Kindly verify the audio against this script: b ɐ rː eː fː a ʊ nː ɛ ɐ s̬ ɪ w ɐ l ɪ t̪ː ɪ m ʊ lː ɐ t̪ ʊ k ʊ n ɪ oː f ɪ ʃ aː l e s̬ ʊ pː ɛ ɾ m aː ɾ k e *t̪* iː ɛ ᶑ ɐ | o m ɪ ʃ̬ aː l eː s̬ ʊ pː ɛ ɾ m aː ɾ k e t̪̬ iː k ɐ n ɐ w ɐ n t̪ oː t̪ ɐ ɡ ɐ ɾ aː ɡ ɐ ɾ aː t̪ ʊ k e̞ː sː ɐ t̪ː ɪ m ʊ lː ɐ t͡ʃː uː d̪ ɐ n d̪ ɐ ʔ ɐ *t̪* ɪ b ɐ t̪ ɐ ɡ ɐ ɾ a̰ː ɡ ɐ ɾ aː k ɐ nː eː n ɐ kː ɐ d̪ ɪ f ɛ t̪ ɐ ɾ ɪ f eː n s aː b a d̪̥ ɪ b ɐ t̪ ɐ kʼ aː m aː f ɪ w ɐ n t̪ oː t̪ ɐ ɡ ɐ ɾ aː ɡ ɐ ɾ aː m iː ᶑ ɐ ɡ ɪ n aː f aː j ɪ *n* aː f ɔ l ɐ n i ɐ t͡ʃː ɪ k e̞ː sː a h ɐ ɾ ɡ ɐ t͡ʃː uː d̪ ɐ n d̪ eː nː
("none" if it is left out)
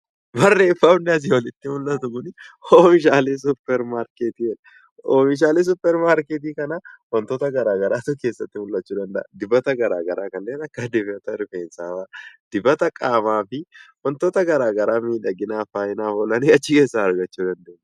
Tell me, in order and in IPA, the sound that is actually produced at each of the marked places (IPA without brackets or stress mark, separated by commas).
t̪, d̪, n